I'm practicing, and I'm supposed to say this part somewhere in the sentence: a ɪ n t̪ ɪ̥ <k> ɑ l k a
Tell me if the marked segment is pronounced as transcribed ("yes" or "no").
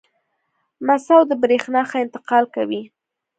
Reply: no